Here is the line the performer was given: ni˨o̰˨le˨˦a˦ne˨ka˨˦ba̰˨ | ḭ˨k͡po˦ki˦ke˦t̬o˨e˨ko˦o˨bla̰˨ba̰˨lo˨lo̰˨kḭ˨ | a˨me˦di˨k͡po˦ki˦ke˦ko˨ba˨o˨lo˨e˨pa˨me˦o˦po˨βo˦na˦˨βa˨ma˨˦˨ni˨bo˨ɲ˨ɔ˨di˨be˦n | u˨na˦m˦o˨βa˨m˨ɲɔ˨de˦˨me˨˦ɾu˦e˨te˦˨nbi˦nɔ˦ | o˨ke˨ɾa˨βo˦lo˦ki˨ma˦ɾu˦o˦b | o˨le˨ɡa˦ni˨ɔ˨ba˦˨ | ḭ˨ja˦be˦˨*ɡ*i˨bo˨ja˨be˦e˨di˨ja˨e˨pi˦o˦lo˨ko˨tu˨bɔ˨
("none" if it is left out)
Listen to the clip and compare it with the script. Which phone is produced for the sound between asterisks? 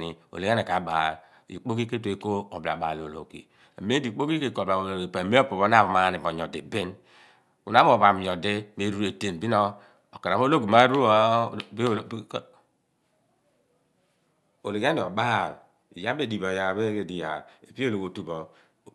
d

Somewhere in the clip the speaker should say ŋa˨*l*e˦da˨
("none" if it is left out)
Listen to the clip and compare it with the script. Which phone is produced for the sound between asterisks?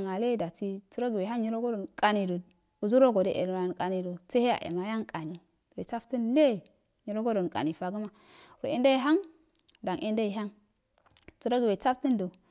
l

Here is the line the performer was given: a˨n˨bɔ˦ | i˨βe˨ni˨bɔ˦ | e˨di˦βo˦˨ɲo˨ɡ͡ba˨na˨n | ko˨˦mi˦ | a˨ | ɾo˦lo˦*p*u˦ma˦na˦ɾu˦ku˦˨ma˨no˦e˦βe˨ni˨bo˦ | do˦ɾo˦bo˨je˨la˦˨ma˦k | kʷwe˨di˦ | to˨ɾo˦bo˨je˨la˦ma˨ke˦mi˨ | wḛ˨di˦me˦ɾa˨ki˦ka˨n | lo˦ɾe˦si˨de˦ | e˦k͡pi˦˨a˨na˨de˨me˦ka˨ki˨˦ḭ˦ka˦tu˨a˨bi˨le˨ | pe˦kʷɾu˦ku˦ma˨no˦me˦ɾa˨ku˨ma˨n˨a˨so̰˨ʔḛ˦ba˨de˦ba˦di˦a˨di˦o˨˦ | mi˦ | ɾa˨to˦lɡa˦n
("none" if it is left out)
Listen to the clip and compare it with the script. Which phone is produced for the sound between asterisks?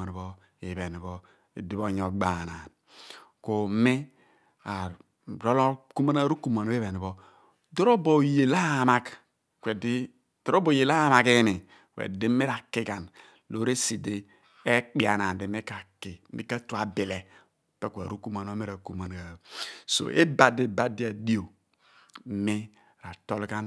k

